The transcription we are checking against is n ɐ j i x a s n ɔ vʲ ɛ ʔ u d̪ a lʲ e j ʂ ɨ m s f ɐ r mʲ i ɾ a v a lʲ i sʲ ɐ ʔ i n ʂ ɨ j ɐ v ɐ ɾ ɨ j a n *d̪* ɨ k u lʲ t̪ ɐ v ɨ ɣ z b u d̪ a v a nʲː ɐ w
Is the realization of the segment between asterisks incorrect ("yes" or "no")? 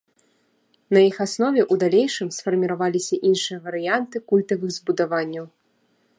yes